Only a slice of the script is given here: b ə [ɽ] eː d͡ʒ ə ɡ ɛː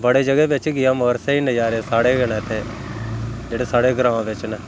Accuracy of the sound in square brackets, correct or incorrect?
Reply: correct